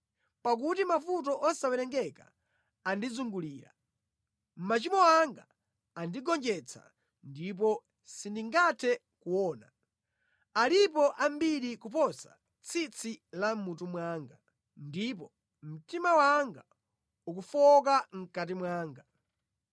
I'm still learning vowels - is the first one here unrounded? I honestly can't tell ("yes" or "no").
yes